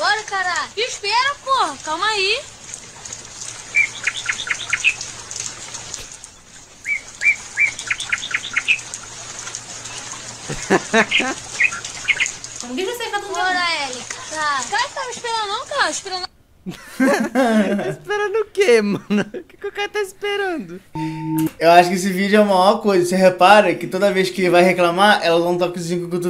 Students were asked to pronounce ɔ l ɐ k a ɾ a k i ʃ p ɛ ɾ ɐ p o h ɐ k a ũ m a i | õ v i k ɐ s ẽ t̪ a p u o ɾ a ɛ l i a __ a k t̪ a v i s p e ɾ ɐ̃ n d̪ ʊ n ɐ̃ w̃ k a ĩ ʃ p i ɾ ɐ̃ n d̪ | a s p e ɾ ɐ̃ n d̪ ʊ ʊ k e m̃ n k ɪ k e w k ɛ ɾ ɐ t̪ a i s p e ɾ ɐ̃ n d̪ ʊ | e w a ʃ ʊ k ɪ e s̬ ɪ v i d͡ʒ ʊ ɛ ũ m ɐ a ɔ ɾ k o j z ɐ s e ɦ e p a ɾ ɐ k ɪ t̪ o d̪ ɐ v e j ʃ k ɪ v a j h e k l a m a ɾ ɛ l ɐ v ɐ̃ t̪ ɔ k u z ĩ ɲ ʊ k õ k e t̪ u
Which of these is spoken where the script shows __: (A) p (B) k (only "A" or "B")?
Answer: B